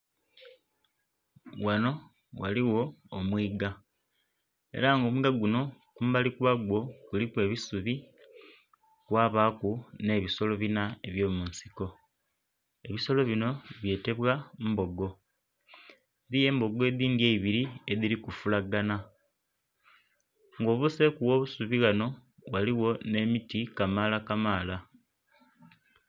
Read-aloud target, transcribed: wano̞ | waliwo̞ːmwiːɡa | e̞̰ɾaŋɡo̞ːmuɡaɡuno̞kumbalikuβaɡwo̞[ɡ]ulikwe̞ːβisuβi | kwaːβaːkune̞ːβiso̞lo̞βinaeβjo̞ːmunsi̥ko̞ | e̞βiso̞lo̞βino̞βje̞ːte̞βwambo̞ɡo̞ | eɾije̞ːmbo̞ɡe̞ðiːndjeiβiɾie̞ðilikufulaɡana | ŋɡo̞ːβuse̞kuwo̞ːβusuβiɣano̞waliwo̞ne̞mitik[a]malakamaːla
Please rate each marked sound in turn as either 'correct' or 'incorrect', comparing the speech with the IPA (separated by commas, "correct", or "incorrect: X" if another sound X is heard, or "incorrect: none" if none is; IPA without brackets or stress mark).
incorrect: k, correct